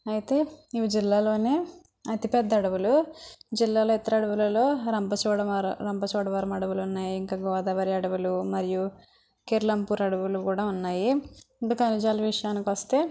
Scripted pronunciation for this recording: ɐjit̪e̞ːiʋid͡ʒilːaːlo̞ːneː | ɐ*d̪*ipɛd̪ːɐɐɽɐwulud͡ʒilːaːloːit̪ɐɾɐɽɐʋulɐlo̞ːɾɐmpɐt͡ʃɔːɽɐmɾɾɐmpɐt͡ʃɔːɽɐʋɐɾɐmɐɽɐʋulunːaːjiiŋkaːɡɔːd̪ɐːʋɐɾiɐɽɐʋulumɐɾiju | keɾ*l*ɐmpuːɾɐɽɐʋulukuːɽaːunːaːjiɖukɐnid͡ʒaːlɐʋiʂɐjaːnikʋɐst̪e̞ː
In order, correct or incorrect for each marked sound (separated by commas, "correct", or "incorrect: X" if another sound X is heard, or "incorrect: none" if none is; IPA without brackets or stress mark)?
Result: incorrect: t̪, correct